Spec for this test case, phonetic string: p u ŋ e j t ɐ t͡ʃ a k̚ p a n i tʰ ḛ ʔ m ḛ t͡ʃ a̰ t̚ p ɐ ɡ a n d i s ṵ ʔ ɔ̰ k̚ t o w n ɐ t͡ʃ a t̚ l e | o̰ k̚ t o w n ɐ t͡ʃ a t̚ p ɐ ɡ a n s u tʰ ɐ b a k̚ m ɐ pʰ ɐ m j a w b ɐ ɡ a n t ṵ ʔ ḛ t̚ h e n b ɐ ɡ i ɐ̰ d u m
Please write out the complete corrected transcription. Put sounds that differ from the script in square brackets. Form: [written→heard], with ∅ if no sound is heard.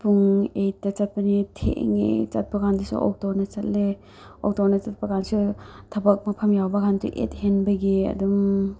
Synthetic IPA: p u ŋ e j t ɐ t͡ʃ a [k̚→t̚] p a n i tʰ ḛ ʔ [m→ŋ] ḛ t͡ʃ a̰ t̚ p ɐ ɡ a n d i s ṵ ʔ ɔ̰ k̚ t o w n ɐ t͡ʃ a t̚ l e | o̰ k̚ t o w n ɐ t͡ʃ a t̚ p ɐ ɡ a n s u tʰ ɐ b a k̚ m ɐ pʰ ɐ m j a w b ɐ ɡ a n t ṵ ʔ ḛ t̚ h e n b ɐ ɡ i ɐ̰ d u m